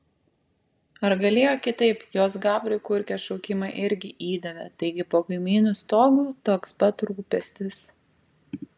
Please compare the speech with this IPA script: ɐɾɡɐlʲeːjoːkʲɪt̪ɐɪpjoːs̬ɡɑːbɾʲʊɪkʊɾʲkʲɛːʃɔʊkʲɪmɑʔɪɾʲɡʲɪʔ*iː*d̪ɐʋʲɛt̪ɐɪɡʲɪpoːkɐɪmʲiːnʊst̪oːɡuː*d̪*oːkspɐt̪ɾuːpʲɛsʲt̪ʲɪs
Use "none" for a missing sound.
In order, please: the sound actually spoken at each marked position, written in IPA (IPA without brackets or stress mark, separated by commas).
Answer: iː, t̪